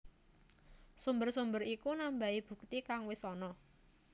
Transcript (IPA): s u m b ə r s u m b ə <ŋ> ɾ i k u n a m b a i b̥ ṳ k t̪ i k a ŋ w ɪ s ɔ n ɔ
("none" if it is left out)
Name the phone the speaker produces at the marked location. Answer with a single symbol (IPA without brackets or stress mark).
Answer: none